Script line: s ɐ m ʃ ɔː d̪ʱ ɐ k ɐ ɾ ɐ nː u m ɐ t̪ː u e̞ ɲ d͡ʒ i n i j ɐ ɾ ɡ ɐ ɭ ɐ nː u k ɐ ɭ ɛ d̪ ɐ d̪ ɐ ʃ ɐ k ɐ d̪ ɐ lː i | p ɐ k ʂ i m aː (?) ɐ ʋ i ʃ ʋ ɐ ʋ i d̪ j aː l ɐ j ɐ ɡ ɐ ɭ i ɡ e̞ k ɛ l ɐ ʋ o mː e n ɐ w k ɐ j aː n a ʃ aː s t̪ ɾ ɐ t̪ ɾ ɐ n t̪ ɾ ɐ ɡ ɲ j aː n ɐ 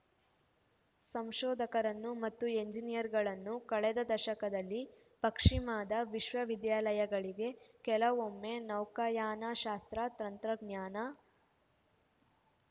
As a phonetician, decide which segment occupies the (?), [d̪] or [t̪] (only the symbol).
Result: d̪